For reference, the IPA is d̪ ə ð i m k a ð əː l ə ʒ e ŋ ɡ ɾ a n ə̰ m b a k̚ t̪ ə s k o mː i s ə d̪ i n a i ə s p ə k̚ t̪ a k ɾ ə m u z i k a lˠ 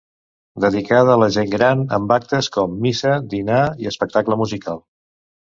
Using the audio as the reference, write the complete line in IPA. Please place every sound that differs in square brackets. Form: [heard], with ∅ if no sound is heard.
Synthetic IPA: d̪ ə ð i [∅] k a ð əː l ə ʒ e ŋ ɡ ɾ a n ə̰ m b a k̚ t̪ ə s k [ɔ] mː i s ə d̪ i n a i ə s p ə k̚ t̪ a k [l] ə m u z i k a lˠ